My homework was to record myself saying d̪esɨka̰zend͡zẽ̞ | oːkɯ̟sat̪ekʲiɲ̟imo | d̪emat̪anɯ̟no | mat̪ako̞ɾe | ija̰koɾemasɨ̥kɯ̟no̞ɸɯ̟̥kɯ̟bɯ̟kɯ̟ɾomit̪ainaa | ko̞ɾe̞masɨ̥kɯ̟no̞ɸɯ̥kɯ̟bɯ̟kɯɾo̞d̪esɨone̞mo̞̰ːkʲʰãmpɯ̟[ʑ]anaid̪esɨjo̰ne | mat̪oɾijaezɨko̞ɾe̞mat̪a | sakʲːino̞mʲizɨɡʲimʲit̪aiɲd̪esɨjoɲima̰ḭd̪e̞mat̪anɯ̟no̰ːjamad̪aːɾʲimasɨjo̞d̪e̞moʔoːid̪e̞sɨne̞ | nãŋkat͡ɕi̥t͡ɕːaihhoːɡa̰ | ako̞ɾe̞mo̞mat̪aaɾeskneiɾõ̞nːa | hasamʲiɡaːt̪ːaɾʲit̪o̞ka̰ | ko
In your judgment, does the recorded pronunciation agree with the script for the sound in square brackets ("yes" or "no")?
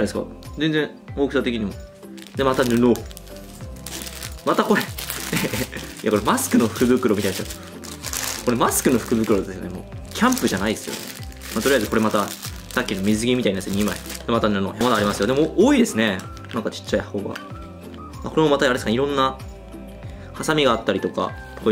yes